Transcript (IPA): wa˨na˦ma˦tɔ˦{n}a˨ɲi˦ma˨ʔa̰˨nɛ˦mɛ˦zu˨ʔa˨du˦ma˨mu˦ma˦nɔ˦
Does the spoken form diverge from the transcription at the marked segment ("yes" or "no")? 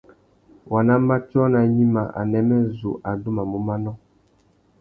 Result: no